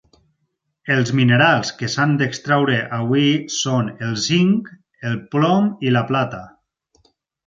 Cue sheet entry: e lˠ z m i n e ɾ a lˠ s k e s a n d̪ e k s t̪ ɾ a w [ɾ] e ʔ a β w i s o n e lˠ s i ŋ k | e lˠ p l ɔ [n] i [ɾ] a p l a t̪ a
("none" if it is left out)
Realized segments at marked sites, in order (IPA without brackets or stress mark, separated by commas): ɾ, m, l